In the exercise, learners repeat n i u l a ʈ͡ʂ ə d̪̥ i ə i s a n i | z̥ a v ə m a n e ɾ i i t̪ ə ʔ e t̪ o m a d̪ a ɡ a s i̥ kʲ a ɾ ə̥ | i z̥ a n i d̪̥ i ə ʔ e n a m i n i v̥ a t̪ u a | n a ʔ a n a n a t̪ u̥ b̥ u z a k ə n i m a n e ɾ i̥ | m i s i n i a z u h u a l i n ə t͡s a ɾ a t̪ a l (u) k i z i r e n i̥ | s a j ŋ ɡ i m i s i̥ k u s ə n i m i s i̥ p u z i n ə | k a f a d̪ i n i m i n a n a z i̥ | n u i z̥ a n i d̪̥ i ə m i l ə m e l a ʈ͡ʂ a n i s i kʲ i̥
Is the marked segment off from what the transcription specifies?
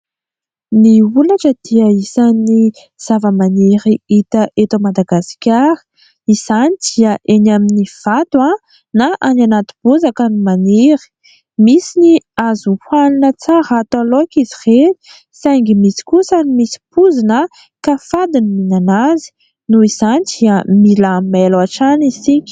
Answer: yes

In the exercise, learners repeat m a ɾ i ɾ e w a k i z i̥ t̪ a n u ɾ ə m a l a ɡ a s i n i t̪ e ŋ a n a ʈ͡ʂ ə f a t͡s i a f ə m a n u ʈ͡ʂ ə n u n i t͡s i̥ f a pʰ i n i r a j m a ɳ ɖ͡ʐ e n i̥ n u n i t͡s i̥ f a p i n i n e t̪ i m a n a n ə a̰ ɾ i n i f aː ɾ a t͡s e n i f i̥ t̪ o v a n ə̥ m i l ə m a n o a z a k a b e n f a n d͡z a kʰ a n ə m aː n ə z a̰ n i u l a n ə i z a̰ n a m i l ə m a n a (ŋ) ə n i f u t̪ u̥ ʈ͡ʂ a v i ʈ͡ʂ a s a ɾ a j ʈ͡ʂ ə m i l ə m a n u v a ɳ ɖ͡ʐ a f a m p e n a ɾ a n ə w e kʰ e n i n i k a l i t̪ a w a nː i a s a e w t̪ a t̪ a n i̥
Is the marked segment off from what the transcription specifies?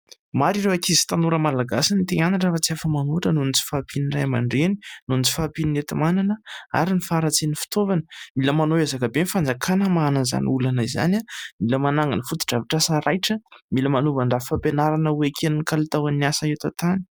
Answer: no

